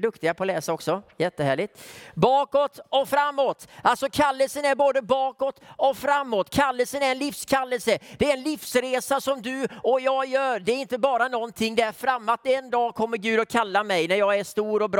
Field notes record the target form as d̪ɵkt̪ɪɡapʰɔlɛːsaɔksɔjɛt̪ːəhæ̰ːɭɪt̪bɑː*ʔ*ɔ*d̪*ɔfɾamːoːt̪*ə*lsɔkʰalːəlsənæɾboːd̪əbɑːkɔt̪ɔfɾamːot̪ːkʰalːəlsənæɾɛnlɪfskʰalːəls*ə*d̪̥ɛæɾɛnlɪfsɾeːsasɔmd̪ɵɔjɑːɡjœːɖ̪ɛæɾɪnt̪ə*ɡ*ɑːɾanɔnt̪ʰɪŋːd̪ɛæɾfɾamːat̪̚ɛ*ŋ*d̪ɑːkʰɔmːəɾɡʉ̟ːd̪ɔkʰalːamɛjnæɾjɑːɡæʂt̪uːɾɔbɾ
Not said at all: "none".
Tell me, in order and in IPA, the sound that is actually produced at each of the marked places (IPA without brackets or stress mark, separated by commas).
k, t̪, a, ə, b, n